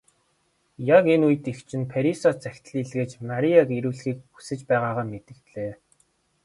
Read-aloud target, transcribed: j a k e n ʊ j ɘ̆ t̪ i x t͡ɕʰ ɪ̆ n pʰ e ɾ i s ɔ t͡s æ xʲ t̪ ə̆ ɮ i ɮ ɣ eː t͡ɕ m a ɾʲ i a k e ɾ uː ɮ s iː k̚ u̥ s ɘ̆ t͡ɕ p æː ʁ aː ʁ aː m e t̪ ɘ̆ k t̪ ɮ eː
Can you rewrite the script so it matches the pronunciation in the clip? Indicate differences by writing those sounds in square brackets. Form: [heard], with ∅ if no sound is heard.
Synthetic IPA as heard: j a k e n [u] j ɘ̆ t̪ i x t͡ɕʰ ɪ̆ n pʰ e ɾ i s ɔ t͡s æ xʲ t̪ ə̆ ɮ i ɮ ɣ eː t͡ɕ m a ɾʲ i a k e ɾ uː ɮ [x] iː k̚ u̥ s ɘ̆ t͡ɕ p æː ʁ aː ʁ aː m e t̪ ɘ̆ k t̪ ɮ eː

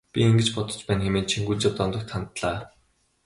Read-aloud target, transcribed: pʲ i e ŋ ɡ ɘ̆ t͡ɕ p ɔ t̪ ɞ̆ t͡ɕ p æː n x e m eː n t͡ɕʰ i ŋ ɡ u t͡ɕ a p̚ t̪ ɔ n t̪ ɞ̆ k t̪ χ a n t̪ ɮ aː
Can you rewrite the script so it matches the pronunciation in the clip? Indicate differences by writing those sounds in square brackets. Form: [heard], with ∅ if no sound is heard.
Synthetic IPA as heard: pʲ i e ŋ ɡ ɘ̆ t͡ɕ p ɔ t̪ ɞ̆ t͡ɕ p æː n x e m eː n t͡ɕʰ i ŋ ɡ u t͡ɕ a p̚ t̪ ɔ n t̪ ɞ̆ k t̪ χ a n t̪ ɮ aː

